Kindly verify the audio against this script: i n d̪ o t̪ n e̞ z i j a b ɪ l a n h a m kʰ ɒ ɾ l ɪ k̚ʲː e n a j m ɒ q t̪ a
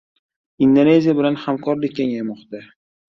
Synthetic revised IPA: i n d̪ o n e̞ z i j a b ɪ l a n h a m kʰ ɒ ɾ l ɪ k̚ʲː e ŋ a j m ɒ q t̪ a